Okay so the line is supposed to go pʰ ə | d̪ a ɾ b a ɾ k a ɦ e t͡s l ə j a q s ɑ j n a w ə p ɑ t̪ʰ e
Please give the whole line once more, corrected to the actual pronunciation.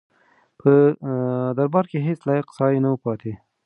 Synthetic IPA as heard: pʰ ə | d̪ a ɾ b ɑ ɾ k e ɦ e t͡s l ɑ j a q s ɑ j n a w ə p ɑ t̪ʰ e